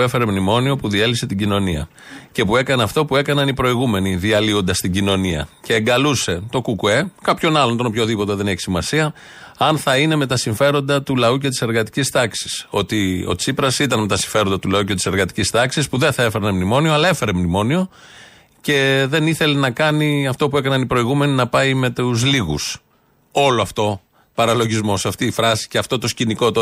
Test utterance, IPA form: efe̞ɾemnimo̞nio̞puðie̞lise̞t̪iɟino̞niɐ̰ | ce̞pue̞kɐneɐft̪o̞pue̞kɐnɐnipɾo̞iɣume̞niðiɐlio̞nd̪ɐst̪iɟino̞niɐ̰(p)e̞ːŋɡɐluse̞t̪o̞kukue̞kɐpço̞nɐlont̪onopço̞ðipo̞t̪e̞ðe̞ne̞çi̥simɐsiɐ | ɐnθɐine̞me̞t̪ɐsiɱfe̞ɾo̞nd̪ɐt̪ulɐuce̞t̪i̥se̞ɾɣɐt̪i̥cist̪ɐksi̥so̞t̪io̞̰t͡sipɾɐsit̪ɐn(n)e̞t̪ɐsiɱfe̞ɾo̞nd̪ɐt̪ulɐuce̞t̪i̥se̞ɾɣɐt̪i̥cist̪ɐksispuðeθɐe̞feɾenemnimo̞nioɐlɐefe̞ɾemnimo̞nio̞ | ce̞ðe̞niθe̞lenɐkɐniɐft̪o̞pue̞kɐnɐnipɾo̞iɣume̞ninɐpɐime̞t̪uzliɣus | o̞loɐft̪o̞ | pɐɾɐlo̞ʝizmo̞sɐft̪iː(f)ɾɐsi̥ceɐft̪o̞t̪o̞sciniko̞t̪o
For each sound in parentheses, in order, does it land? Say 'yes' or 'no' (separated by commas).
no, no, yes